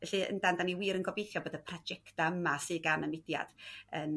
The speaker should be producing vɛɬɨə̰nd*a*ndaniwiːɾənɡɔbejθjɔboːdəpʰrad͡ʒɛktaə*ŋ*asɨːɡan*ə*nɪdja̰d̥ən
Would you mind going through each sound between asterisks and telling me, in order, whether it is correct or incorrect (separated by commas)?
correct, incorrect, correct